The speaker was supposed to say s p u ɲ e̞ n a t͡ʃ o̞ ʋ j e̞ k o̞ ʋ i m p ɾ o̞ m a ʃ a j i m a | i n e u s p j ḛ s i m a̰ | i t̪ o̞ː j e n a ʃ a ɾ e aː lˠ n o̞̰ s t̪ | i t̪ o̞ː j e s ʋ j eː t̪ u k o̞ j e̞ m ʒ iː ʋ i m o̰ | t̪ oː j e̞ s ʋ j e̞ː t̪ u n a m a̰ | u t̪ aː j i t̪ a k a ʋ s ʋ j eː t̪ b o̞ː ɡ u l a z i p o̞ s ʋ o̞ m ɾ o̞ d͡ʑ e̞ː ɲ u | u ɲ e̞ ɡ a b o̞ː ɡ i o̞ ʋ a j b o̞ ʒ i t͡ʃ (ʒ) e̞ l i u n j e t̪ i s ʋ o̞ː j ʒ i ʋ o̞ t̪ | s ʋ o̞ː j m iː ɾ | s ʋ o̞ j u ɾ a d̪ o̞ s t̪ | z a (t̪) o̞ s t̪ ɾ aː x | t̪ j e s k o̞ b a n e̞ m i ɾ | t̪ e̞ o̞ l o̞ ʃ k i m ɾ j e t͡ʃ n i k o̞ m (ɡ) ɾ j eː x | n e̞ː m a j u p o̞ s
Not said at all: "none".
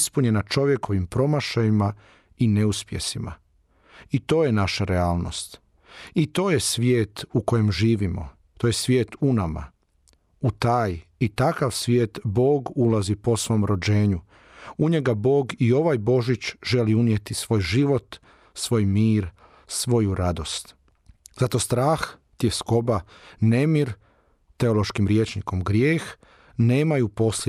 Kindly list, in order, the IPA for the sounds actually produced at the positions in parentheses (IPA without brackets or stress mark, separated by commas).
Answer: ʒ, t̪, ɡ